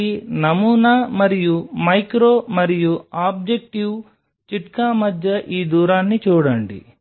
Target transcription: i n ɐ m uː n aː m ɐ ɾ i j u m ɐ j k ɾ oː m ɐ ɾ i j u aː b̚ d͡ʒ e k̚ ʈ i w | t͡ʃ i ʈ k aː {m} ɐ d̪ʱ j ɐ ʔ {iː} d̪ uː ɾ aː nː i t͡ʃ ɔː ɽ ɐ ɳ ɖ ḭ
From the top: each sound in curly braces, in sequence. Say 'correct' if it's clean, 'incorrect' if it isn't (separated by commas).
correct, correct